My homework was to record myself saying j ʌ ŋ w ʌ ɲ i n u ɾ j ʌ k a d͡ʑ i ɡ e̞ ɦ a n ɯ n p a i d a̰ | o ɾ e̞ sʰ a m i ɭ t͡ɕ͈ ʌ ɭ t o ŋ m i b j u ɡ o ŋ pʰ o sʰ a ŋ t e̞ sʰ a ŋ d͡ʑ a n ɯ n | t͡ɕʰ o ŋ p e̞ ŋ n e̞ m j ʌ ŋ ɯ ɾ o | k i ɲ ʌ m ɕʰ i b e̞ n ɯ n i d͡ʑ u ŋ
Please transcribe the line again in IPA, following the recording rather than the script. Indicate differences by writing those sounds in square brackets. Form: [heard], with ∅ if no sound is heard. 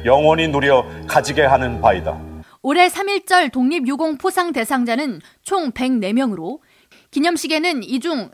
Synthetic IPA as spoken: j ʌ ŋ w ʌ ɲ i n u ɾ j ʌ k a d͡ʑ i ɡ e̞ ɦ a n ɯ n p a i d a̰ | o ɾ e̞ sʰ a m i ɭ t͡ɕ͈ ʌ ɭ t o ŋ [ɲ] i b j u ɡ o ŋ pʰ o sʰ a ŋ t e̞ sʰ a ŋ d͡ʑ a n ɯ n | t͡ɕʰ o ŋ p e̞ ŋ n e̞ m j ʌ ŋ ɯ ɾ o | k i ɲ ʌ m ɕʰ i [ɡ] e̞ n ɯ n i d͡ʑ u ŋ